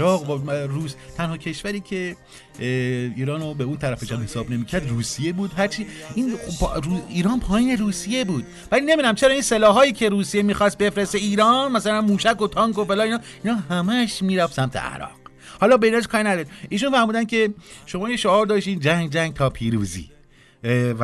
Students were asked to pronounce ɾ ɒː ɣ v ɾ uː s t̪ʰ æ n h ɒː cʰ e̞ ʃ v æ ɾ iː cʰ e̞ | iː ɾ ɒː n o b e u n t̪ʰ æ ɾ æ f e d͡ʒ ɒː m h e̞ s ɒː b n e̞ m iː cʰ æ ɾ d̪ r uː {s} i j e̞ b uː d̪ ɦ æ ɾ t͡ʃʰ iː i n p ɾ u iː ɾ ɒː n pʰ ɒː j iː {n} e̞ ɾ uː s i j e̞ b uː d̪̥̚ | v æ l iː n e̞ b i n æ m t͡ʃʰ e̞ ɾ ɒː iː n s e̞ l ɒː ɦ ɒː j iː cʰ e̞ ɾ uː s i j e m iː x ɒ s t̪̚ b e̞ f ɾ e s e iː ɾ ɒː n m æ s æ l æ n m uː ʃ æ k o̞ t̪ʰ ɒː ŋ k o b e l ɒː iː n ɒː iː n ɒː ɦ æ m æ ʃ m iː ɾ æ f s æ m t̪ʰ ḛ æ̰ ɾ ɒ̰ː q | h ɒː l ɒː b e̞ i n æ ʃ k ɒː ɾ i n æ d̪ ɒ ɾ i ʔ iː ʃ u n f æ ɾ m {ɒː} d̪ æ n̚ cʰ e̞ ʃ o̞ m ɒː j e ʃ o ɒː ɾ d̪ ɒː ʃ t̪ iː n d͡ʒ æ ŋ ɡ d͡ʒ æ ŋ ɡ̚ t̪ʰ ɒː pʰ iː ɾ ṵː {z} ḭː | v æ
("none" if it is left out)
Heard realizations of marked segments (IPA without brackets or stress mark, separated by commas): s, n, uː, z